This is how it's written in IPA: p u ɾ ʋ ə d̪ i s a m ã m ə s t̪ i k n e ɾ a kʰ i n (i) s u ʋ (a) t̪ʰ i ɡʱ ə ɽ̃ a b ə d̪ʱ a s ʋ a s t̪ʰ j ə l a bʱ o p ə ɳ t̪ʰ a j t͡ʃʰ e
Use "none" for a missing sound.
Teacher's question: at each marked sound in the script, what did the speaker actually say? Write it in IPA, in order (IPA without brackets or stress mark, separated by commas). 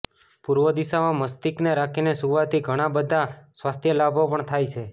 e, a